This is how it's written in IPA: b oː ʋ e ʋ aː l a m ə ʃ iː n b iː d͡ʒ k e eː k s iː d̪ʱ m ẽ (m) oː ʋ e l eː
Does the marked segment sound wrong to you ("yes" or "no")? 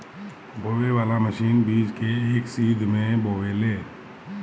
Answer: yes